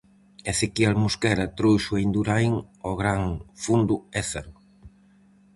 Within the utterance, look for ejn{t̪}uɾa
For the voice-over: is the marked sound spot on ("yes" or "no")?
no